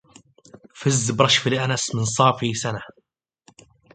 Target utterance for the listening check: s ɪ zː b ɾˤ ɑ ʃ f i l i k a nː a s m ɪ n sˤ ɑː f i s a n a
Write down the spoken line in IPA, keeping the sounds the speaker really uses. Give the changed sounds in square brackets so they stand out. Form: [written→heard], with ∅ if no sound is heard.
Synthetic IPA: [s→f] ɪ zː b ɾˤ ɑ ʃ f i l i [k→ʔ] a [nː→n] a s m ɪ n sˤ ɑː f i s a n a